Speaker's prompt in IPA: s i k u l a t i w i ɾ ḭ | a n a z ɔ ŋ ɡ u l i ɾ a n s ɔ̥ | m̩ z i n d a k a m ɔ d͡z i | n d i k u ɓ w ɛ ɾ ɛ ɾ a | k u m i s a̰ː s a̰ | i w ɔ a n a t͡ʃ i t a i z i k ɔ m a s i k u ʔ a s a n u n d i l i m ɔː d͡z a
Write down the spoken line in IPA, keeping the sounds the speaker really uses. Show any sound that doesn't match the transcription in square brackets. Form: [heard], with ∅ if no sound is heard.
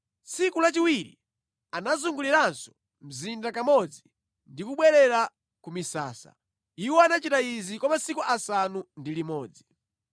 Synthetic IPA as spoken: s i k u l a [t͡ʃ] i w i ɾ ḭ | a n a z [u] ŋ ɡ u l i ɾ a n s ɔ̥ | m̩ z i n d a k a m ɔ d͡z i | n d i k u ɓ w ɛ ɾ ɛ ɾ a | k u m i s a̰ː s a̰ | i w ɔ a n a t͡ʃ i t a i z i k ɔ m a s i k u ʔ a s a n u n d i l i m ɔː d͡z [i]